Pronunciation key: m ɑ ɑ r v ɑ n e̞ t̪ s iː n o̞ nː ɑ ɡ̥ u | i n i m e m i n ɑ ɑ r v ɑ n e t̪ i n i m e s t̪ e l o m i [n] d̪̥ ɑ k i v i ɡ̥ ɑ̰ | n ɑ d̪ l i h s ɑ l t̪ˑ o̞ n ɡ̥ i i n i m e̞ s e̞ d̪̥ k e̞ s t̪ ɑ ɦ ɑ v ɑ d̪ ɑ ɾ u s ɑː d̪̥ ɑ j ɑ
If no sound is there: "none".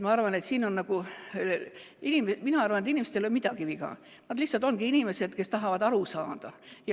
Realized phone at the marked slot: none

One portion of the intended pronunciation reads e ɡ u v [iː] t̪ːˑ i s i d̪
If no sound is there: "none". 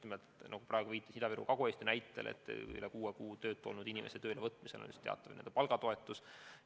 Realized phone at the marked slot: iː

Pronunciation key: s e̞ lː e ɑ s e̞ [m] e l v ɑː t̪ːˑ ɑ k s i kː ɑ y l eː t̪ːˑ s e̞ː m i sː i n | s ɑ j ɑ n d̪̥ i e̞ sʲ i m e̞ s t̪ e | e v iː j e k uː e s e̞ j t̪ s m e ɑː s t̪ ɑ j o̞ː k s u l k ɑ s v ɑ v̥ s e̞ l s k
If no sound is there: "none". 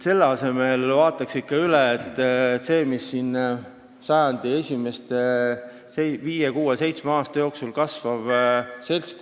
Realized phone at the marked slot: m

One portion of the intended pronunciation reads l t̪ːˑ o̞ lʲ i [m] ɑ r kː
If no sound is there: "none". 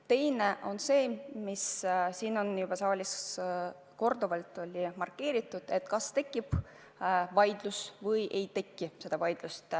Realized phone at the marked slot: m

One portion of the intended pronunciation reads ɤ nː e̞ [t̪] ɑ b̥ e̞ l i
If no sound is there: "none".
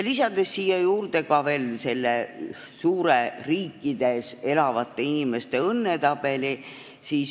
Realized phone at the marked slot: t̪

